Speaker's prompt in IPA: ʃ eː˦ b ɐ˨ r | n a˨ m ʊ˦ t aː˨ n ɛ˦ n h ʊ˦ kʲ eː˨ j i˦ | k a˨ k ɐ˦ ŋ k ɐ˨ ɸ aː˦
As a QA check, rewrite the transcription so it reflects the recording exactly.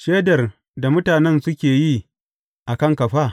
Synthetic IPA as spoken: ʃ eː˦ d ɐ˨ r | d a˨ m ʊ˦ t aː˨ n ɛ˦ n s ʊ˦ kʲ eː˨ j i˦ | ʔ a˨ k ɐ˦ ŋ k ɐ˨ ɸ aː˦